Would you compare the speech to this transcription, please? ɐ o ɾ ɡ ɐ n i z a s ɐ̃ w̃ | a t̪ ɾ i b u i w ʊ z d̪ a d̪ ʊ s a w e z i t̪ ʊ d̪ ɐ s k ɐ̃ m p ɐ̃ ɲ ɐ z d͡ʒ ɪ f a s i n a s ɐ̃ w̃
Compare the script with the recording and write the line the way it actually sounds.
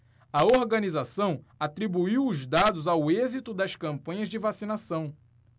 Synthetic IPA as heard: ɐ o ɾ ɡ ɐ n i z a s ɐ̃ w̃ | a t̪ ɾ i b u i w ʊ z d̪ a d̪ ʊ z a w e z i t̪ ʊ d̪ ɐ s k ɐ̃ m p ɐ̃ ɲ ɐ z d͡ʒ ɪ v a s i n a s ɐ̃ w̃